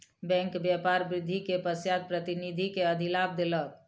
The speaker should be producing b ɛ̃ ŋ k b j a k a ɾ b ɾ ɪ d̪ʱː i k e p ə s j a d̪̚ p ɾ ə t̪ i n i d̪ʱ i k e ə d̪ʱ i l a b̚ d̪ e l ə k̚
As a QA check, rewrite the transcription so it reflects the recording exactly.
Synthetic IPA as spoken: b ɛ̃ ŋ k b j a p a ɾ b ɾ ɪ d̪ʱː i k e p ə s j a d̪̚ p ɾ ə t̪ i n i d̪ʱ i k e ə d̪ʱ i l a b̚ d̪ e l ə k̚